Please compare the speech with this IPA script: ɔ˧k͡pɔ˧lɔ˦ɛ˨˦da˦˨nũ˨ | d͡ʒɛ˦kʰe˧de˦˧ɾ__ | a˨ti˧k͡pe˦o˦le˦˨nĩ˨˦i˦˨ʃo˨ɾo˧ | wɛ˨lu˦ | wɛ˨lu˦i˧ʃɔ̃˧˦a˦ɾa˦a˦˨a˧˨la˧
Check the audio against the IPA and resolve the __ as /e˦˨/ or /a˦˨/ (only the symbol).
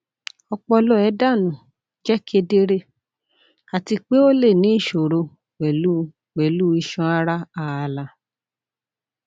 e˦˨